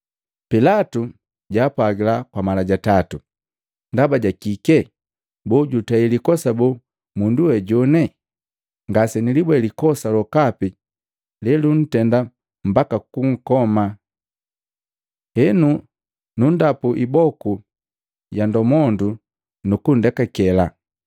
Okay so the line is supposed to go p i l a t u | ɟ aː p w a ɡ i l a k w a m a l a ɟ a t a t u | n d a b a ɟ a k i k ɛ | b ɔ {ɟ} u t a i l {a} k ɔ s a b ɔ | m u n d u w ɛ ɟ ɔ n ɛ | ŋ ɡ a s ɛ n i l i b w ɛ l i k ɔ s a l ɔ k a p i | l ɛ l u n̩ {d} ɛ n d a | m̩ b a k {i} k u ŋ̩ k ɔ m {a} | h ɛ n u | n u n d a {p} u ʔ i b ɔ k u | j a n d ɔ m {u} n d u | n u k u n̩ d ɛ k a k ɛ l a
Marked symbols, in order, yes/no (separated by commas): yes, no, no, no, yes, yes, no